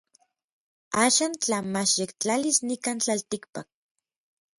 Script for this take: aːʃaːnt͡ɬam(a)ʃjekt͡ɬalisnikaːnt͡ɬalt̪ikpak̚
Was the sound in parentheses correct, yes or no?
yes